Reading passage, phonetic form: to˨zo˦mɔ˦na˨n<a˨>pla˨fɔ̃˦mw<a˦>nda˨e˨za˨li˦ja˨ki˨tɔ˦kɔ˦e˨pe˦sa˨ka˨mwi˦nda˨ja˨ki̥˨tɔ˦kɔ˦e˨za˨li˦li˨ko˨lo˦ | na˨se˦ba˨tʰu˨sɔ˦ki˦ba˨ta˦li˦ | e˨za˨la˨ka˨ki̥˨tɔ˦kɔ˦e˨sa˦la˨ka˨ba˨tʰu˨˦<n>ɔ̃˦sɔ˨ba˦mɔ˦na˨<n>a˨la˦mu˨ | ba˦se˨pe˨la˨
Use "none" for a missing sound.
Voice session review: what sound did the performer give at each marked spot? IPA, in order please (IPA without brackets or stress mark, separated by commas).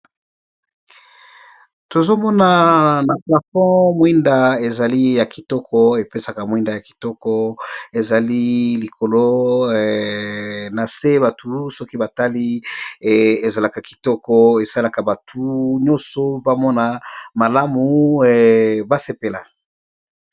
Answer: a˨, i˦, ɲ, m